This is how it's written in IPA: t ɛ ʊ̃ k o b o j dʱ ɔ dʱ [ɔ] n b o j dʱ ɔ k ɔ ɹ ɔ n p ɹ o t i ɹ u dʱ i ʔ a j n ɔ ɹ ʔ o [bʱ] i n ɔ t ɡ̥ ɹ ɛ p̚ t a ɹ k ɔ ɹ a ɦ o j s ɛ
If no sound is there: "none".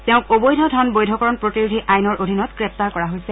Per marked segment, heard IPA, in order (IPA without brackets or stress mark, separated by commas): ɔ, dʱ